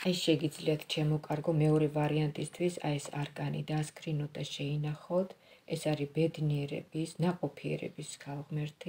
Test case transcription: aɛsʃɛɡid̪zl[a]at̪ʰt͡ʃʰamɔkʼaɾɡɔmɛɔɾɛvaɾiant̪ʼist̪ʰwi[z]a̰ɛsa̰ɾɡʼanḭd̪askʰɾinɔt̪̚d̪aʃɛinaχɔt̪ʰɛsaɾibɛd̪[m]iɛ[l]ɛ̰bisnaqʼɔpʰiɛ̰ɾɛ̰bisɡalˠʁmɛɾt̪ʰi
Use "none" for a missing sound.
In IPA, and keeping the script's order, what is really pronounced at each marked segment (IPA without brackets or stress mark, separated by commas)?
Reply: i, s, n, ɾ